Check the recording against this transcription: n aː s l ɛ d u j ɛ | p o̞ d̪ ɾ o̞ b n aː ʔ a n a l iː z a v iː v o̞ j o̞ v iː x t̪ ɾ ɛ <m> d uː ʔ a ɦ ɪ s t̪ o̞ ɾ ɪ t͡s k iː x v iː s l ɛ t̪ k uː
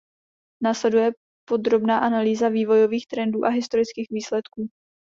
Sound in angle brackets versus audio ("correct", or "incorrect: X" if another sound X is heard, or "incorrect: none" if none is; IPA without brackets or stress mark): incorrect: n